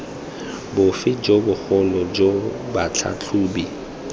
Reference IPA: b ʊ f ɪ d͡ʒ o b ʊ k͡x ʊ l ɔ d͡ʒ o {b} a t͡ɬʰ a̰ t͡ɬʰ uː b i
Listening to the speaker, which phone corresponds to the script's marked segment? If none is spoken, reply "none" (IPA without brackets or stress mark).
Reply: b